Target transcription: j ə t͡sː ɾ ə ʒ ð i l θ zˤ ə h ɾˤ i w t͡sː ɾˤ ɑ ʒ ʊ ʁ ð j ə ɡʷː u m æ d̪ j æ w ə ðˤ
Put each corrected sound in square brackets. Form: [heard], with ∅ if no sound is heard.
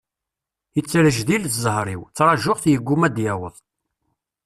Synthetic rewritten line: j ə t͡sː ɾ ə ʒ ð i l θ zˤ ə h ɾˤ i w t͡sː ɾˤ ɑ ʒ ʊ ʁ [θ] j ə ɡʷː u m æ d̪ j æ w ə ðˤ